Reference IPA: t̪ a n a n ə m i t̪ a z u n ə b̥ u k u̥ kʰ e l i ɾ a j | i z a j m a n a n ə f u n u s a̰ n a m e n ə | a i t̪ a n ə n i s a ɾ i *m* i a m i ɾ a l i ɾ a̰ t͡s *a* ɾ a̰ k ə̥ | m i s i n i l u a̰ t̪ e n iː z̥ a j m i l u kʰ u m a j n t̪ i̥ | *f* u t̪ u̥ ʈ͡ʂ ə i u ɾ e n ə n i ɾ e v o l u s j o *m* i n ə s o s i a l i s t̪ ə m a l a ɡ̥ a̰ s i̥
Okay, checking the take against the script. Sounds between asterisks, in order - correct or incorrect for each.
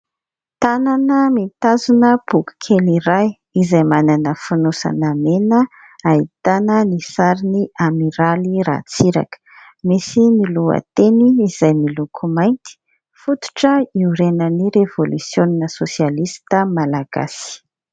incorrect: n, incorrect: i, correct, incorrect: n

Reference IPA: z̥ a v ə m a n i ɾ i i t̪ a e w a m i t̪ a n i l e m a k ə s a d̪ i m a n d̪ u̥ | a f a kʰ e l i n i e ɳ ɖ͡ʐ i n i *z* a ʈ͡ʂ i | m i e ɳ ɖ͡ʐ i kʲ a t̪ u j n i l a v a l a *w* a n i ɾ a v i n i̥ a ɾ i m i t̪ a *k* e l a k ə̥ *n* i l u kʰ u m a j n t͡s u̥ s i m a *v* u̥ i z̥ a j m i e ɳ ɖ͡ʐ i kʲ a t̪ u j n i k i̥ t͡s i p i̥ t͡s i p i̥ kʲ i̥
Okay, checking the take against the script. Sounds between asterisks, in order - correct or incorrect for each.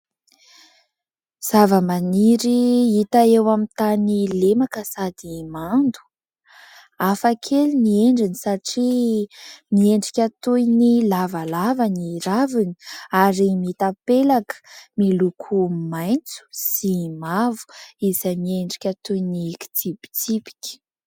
incorrect: s, incorrect: v, incorrect: p, incorrect: m, correct

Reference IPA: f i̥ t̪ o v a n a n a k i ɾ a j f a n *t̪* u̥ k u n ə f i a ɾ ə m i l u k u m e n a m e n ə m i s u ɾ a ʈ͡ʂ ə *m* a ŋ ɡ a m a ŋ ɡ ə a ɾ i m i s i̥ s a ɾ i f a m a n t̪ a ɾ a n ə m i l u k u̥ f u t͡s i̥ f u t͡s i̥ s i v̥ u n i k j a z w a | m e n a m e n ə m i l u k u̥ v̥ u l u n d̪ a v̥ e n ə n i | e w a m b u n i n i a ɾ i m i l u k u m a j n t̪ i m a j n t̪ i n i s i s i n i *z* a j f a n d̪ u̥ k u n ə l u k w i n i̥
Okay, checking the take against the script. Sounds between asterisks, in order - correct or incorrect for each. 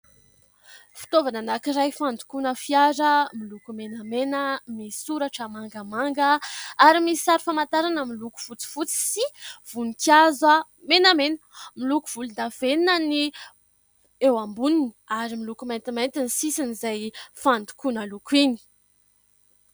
incorrect: d̪, correct, correct

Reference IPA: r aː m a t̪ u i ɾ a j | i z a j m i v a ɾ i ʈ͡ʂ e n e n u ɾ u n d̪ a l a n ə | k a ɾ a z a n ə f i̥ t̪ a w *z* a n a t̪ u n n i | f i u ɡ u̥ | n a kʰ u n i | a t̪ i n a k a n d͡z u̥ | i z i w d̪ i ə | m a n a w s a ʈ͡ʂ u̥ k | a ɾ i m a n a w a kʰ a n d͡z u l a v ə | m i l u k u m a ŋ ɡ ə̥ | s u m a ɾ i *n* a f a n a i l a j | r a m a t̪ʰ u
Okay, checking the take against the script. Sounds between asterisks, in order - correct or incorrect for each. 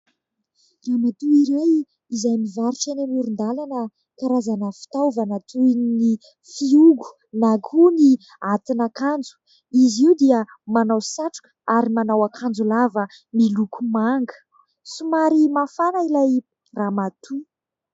incorrect: v, incorrect: m

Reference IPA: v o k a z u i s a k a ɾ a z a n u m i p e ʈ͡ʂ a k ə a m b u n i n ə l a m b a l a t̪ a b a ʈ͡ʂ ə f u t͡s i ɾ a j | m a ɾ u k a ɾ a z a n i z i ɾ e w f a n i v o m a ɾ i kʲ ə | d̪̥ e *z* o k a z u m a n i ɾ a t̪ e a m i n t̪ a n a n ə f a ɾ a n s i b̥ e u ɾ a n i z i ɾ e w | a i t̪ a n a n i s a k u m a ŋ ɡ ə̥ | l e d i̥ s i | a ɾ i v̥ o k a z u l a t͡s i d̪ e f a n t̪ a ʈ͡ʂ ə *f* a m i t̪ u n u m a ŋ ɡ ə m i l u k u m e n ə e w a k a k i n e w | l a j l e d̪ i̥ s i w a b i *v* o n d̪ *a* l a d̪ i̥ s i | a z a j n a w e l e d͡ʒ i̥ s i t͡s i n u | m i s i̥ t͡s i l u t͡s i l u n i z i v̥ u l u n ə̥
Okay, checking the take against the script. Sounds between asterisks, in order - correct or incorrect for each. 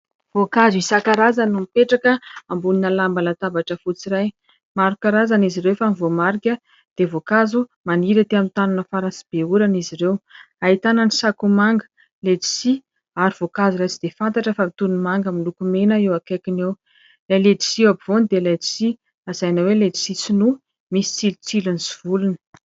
incorrect: v, correct, correct, incorrect: e

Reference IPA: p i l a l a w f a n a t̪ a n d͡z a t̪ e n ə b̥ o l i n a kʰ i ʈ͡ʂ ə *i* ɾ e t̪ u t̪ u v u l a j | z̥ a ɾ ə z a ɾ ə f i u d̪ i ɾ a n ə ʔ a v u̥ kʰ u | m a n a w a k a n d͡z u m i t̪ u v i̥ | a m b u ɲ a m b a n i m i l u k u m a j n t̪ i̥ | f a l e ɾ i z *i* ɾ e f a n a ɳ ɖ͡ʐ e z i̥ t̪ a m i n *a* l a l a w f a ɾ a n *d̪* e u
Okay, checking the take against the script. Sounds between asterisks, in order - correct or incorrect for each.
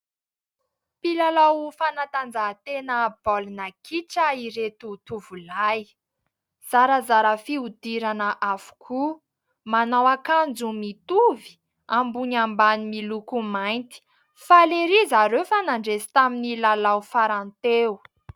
correct, incorrect: a, incorrect: i, incorrect: t̪

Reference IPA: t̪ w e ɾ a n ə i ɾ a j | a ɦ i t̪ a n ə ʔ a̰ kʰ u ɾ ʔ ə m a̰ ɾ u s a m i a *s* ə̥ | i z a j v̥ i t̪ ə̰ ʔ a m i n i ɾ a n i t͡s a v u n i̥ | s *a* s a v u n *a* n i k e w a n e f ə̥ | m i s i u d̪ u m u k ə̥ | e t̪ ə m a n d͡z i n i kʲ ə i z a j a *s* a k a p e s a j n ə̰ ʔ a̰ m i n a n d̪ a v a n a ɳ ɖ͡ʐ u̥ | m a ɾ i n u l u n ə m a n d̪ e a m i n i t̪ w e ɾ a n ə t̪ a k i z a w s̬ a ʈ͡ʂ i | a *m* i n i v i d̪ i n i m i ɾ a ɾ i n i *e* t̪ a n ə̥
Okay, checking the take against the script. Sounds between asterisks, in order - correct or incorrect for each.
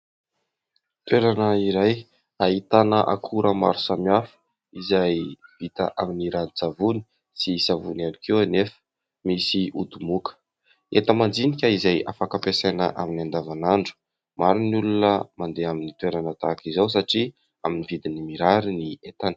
incorrect: f, incorrect: i, correct, incorrect: f, correct, correct

